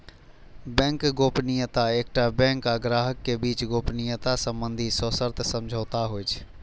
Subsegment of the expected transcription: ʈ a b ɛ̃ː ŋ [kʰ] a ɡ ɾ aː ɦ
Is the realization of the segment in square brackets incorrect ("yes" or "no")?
yes